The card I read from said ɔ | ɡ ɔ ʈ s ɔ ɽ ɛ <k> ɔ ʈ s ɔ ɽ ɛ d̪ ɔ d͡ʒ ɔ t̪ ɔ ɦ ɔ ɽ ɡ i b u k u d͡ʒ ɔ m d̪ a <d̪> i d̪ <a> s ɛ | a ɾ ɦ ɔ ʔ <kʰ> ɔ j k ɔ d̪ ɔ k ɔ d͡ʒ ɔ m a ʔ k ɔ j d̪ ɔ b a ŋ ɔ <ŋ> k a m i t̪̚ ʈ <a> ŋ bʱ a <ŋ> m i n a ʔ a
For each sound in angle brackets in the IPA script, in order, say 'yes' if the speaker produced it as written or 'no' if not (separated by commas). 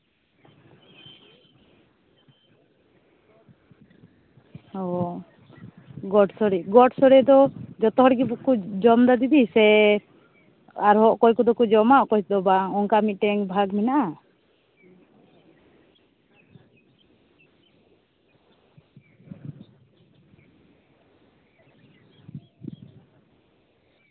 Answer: no, yes, no, no, yes, no, no